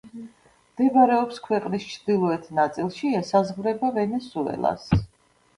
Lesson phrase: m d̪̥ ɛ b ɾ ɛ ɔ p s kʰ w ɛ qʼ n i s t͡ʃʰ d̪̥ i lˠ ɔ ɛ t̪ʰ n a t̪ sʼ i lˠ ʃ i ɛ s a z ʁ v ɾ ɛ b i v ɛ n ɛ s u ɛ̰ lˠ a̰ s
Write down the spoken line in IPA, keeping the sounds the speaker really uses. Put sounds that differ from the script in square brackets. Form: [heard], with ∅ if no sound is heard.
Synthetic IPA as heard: m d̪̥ ɛ b ɾ ɛ ɔ p s kʰ w ɛ qʼ n i s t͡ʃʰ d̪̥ i lˠ ɔ ɛ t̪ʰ n a t̪ sʼ i lˠ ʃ i ɛ s a z ʁ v ɾ ɛ b [a] v ɛ n ɛ s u ɛ̰ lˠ a̰ s

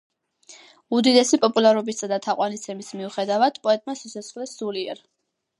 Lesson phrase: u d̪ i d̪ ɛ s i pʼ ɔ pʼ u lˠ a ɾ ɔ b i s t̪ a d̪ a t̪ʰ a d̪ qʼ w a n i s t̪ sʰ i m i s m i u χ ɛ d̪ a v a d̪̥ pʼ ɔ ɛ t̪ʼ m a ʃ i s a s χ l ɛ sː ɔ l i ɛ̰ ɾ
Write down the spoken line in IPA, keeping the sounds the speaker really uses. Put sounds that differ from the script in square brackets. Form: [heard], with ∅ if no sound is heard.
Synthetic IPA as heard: u d̪ i d̪ ɛ s i pʼ ɔ pʼ u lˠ a ɾ ɔ b i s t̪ a d̪ a t̪ʰ a [∅] qʼ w a n i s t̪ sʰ [ɛ] m i s m i u χ ɛ d̪ a v a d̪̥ pʼ ɔ ɛ t̪ʼ m a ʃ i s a s χ l ɛ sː [u] l i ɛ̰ ɾ

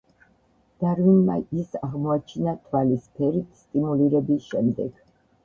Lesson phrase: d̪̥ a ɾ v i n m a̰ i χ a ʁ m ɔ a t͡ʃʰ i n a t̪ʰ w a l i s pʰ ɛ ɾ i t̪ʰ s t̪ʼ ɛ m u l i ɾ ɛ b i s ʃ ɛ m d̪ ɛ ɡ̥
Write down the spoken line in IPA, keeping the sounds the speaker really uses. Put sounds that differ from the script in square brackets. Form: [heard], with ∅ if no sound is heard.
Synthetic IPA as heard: d̪̥ a ɾ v i n m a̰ i [s] a ʁ m ɔ a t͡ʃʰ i n a t̪ʰ w a l i s pʰ ɛ ɾ i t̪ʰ s t̪ʼ [i] m u l i ɾ ɛ b i s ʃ ɛ m d̪ ɛ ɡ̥

